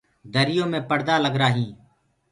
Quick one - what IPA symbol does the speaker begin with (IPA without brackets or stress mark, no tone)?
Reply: d̪